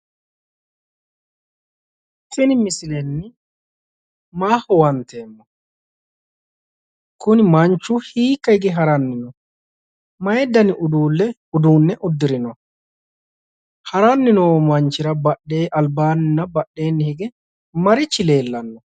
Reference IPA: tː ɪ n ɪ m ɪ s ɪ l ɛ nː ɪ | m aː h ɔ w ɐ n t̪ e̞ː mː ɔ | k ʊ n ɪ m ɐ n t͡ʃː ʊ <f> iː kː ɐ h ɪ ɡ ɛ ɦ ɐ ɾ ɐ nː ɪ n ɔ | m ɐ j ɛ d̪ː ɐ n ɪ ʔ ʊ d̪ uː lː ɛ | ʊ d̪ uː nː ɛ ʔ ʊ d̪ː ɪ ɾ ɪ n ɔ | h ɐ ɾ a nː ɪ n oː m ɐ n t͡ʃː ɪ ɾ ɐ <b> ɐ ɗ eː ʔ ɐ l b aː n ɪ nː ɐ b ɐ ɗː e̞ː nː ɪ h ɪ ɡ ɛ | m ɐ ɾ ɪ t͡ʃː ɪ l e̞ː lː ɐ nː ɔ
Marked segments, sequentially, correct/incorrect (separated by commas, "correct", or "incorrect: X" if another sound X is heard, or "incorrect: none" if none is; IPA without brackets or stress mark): incorrect: h, correct